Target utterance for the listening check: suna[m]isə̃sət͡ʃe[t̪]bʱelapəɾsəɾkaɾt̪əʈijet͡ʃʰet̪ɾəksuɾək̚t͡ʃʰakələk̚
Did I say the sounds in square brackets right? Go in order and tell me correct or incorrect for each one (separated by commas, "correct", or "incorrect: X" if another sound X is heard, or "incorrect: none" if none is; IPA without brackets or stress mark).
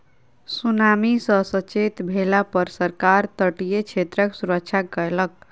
correct, correct